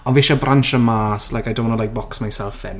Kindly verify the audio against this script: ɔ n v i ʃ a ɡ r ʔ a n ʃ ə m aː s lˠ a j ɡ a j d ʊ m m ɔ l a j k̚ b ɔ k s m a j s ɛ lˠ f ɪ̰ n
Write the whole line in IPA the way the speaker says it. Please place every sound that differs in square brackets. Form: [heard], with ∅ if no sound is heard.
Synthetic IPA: ɔ n v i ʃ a [b] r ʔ a n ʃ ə m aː s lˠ a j [k] a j d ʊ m [n] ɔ l a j k̚ b ɔ k s m a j s ɛ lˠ f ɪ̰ n